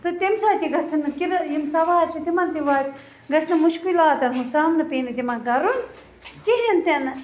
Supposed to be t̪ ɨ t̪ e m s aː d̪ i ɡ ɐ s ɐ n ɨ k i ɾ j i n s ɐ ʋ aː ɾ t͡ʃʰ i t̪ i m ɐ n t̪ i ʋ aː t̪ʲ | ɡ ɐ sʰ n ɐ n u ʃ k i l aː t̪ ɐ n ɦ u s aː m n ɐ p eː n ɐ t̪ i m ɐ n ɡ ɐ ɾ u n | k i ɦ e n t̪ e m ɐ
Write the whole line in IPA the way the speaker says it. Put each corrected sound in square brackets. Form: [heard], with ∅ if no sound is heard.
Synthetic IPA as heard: t̪ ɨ t̪ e m s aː [t̪] i ɡ ɐ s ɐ n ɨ k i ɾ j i [m] s ɐ ʋ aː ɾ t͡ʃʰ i t̪ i m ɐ n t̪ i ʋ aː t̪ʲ | ɡ ɐ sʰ n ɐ [m] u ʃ k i l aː t̪ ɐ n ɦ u s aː m n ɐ p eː n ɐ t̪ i m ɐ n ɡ ɐ ɾ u n | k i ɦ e n t̪ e [n] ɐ